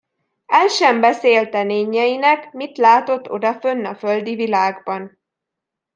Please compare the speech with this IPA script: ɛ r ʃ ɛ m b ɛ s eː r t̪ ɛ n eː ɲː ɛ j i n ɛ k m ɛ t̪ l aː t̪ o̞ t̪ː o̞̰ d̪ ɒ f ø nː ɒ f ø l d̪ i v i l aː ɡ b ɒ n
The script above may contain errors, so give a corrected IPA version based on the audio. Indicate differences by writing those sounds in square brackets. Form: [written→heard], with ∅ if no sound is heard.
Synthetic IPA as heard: ɛ [r→l] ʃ ɛ m b ɛ s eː [r→l] t̪ ɛ n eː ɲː ɛ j i n ɛ k m [ɛ→i] t̪ l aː t̪ o̞ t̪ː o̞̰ d̪ ɒ f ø nː ɒ f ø l d̪ i v i l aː ɡ b ɒ n